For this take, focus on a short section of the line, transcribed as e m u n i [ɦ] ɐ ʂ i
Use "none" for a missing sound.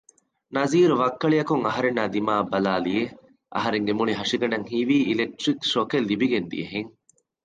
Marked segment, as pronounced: ɦ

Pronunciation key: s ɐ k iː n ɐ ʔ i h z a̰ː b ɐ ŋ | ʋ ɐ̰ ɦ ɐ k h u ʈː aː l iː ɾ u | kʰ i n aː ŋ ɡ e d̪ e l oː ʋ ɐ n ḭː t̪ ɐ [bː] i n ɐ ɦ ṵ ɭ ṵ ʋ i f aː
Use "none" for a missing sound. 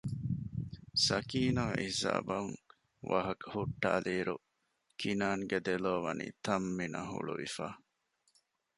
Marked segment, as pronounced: mː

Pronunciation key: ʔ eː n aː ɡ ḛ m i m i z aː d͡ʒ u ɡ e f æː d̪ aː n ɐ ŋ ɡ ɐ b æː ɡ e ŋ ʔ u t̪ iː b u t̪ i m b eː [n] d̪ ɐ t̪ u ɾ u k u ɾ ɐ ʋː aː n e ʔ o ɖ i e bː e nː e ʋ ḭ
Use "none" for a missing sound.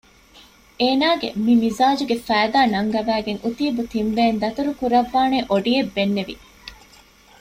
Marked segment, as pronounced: n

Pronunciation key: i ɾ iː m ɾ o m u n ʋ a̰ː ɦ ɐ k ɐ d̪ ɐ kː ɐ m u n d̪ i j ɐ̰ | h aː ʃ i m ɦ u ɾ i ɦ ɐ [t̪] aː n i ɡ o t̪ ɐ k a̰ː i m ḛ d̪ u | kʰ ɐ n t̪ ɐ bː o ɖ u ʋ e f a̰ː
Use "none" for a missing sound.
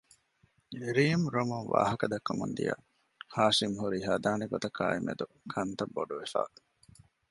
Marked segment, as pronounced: d̪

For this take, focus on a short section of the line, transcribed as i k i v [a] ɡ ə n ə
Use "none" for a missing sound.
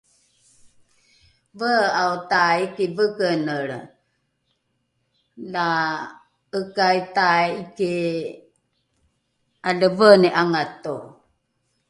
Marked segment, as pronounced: ə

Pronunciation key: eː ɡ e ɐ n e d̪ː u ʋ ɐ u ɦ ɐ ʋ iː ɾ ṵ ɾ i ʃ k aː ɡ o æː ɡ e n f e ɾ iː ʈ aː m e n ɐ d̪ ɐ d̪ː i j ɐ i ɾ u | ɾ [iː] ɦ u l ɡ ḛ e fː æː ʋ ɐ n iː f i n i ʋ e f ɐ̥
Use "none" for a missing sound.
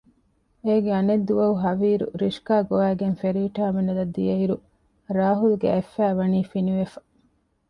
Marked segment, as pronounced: aː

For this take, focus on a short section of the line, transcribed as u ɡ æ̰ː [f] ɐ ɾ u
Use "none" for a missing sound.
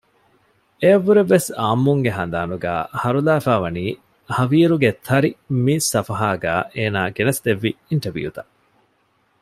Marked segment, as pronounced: h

